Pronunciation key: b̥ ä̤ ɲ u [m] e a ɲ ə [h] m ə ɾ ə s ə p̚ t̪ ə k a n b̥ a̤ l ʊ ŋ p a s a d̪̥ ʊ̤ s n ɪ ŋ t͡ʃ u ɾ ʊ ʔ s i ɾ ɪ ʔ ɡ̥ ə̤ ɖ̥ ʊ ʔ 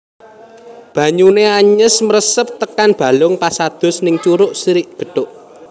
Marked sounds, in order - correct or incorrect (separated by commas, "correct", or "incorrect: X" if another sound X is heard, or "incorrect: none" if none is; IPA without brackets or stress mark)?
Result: incorrect: n, incorrect: s